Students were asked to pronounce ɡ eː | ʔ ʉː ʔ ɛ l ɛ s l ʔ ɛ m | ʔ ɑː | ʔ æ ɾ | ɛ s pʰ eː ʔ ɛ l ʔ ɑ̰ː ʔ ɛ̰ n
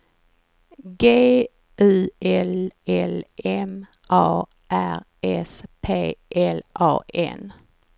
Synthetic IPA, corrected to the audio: ɡ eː | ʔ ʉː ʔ ɛ l ɛ l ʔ ɛ m | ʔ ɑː | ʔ æ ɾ | ɛ s pʰ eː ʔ ɛ l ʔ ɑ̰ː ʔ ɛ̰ n

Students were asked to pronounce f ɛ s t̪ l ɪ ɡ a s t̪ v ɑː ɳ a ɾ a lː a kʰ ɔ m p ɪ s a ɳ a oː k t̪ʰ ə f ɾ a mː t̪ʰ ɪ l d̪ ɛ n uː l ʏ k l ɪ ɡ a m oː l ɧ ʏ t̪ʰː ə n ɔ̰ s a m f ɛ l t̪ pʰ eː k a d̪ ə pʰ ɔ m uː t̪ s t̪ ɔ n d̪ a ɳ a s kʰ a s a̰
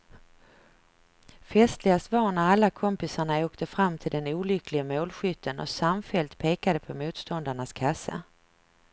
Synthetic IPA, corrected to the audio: f ɛ s t̪ l ɪ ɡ a s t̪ v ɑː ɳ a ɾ a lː a kʰ ɔ m p ɪ s a ɳ a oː k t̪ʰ ə f ɾ a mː t̪ʰ ɪ l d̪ ɛ n uː l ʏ k l ɪ ɡ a m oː l ɧ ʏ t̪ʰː ə n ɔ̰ s a m f ɛ l t̪ pʰ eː k a d̪ ə pʰ ɔ m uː t̪ s t̪ ɔ n d̪ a ɳ a s kʰ a s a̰

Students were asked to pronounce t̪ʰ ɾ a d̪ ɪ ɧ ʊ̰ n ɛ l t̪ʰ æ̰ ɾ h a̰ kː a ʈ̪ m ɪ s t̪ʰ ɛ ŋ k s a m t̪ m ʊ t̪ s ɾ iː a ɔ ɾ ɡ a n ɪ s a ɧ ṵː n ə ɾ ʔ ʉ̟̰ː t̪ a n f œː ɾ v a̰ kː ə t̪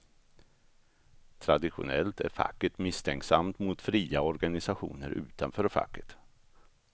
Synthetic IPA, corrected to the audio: t̪ʰ ɾ a d̪ ɪ ɧ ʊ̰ n ɛ l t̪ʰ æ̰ ɾ f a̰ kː ə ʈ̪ m ɪ s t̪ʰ ɛ ŋ k s a m t̪ m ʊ t̪ f ɾ iː a ɔ ɾ ɡ a n ɪ s a ɧ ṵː n ə ɾ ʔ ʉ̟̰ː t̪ a n f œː ɾ f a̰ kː ə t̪

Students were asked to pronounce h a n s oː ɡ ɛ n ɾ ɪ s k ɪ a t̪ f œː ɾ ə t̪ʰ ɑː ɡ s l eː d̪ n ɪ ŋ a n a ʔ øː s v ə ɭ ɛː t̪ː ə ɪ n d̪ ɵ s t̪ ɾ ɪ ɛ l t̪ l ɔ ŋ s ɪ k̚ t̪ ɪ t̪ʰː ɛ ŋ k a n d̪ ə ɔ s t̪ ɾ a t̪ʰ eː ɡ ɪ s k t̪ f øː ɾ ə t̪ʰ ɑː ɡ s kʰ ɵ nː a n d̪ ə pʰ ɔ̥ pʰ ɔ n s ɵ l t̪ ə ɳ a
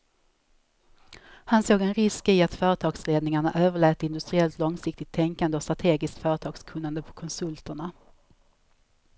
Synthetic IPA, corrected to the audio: h a n s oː ɡ ɛ n ɾ ɪ s k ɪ a t̪ f œː ɾ ə t̪ʰ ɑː ɡ s l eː d̪ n ɪ ŋ a ɳ a ʔ øː v ə ɭ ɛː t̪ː ə ɪ n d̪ ɵ s t̪ ɾ ɪ ɛ l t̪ l ɔ ŋ s ɪ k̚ t̪ ɪ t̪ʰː ɛ ŋ k a n d̪ ə ɔ s t̪ ɾ a t̪ʰ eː ɡ ɪ s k t̪ f œː ɾ ə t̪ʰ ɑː ɡ s kʰ ɵ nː a n d̪ ə pʰ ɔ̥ kʰ ɔ n s ɵ l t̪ ə ɳ a

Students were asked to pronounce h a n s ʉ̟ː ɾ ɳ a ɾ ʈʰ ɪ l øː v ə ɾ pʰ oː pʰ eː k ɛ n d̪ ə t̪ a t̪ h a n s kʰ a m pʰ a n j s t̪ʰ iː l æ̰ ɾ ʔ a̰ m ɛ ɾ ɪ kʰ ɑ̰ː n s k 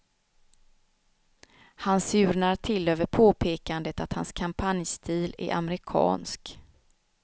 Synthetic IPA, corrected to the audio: h a n s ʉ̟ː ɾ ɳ a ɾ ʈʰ ɪ l øː v ə ɾ pʰ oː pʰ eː k a n d̪ ə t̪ a t̪ h a n s kʰ a m pʰ a n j s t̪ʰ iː l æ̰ ɾ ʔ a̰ m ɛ ɾ ɪ kʰ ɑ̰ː n s k

